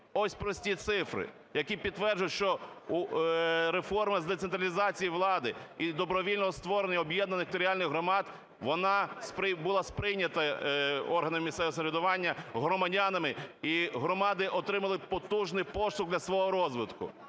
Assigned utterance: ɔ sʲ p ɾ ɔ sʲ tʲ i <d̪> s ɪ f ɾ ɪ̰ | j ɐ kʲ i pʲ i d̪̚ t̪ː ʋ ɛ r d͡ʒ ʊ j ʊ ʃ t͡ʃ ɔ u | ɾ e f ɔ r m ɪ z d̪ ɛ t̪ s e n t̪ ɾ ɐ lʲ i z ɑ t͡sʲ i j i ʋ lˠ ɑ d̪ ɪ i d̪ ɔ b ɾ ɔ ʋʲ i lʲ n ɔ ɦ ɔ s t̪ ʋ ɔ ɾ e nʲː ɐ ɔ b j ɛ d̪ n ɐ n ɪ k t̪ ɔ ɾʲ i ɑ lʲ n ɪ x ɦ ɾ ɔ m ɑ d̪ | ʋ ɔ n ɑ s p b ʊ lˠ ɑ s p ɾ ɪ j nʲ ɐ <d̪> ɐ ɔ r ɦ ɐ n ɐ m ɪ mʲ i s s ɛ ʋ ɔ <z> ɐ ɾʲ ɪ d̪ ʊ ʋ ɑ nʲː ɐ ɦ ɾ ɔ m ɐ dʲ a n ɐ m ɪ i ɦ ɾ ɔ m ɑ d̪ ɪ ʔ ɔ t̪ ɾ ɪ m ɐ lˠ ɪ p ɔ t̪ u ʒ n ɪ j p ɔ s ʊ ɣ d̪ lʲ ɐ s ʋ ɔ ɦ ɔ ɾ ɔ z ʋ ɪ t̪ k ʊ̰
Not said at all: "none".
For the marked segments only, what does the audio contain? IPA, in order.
t̪, t̪, s

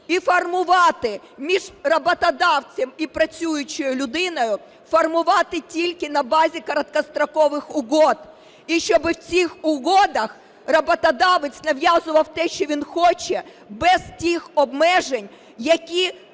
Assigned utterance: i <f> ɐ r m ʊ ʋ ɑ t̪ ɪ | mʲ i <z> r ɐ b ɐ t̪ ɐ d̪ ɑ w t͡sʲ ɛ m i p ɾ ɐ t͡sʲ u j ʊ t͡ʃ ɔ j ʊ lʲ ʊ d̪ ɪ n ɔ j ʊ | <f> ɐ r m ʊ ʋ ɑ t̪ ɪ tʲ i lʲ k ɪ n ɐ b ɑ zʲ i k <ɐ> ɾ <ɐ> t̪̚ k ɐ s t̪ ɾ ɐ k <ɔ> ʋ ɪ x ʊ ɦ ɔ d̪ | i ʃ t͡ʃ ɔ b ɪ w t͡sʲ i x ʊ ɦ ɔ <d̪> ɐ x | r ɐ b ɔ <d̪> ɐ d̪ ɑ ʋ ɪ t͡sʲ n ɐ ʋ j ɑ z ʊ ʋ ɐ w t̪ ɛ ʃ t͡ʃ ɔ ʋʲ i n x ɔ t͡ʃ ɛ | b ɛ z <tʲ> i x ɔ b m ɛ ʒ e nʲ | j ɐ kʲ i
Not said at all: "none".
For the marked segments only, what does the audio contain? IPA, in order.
f, ʒ, f, ɐ, ɐ, ɔ, d̪, t̪, tʲ

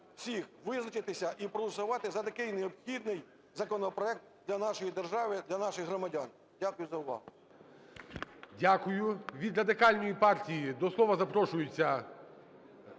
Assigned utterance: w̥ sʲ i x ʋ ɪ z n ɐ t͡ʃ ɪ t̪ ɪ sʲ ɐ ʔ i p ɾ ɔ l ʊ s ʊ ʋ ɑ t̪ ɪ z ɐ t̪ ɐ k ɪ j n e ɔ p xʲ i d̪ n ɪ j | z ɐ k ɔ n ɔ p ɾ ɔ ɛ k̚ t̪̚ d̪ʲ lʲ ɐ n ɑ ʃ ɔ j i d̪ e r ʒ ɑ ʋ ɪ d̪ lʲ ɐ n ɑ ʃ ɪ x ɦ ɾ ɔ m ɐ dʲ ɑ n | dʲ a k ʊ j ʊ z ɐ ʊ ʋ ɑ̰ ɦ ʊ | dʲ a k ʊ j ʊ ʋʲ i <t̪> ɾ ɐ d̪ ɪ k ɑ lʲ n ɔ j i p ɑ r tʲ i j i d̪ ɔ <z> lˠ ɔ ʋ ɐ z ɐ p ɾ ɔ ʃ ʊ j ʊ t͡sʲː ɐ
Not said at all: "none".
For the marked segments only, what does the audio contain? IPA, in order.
d̪, s

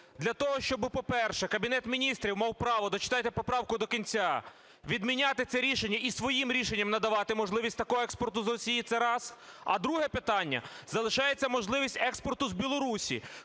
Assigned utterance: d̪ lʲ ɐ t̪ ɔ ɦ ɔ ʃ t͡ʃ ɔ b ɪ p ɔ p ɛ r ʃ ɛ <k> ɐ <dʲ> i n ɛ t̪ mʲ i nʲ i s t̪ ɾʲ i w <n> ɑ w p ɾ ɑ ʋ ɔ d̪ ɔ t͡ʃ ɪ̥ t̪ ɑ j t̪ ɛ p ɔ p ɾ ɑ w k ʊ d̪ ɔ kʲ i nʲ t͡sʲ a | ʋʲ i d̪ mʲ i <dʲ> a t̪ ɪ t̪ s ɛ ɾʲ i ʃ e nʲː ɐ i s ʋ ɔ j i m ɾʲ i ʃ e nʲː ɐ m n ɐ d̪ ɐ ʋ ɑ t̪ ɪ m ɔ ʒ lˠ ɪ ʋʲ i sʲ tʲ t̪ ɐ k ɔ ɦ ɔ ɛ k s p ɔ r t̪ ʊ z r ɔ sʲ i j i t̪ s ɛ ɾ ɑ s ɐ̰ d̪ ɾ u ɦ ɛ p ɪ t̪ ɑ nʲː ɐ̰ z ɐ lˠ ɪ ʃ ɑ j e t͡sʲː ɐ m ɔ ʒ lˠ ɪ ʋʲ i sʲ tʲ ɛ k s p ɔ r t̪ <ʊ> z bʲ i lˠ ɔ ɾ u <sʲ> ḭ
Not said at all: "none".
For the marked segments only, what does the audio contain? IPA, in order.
k, bʲ, m, nʲ, ʊ, sʲ

